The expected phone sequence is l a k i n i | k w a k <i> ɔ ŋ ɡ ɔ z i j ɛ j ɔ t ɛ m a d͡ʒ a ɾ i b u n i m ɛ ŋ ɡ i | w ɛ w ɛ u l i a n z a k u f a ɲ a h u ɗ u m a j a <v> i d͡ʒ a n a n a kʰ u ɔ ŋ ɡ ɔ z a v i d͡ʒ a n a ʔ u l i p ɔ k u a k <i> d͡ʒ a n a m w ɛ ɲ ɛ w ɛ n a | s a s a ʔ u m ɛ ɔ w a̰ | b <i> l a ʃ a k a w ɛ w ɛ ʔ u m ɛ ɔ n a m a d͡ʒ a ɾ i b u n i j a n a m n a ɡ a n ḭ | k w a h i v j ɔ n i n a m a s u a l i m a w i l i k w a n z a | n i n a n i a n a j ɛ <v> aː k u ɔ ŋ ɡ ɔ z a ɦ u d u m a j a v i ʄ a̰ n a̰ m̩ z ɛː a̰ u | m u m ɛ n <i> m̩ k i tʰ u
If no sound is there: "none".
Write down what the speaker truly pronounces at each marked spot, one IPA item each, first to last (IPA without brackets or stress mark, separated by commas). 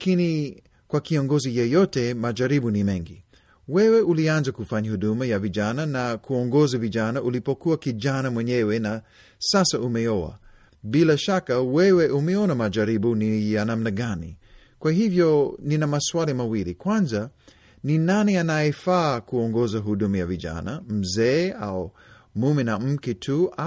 i, v, i, i, f, a